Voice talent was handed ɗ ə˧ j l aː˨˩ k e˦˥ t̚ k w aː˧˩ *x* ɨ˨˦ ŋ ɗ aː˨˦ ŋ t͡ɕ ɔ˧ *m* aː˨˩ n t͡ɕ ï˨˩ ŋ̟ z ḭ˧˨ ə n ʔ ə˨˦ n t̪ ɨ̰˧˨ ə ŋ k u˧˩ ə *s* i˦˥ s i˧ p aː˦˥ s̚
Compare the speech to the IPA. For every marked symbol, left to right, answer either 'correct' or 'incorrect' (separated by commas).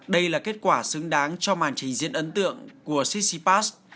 incorrect, correct, correct